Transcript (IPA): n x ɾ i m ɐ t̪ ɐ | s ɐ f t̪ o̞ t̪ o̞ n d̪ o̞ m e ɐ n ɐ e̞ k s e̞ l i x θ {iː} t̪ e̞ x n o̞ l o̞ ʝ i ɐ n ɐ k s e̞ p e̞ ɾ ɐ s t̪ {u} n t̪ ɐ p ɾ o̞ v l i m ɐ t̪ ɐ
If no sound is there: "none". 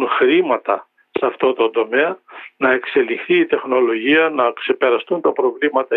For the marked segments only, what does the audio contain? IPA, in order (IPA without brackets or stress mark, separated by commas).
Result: iː, u